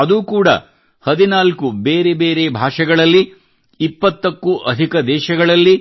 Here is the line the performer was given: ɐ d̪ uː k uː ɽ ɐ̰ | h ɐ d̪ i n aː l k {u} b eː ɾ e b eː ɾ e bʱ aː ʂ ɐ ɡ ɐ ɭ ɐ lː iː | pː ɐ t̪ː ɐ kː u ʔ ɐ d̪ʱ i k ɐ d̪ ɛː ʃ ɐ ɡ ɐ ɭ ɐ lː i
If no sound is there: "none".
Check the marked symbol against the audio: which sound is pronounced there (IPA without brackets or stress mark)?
u